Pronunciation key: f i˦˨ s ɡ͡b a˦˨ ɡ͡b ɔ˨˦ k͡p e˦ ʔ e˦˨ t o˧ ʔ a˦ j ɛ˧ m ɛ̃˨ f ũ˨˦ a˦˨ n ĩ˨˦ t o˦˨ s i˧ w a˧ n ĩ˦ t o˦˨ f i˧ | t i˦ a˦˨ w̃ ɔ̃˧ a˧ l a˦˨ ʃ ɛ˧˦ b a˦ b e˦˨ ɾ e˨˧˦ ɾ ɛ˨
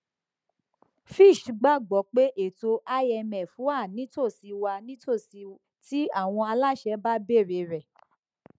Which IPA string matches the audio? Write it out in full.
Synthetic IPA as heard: f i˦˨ ʃ ɡ͡b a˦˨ ɡ͡b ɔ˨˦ k͡p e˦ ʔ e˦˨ t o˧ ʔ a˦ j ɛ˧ m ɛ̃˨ f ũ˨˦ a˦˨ n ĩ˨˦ t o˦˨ s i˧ w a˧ n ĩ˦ t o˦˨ s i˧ | t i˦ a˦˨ w̃ ɔ̃˧ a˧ l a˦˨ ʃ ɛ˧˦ b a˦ b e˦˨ ɾ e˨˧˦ ɾ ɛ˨